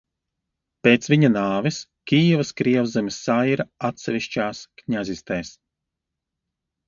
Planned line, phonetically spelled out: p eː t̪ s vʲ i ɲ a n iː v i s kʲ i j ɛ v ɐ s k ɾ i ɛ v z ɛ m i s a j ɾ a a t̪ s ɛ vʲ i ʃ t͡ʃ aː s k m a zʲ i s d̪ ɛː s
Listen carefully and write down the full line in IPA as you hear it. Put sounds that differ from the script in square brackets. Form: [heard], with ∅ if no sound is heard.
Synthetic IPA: p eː t̪ s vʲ i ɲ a n [aː] v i s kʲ i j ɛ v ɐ s k ɾ i ɛ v z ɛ m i s a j ɾ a a t̪ s ɛ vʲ i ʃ t͡ʃ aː s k [ɲ] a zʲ i s [t̪] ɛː s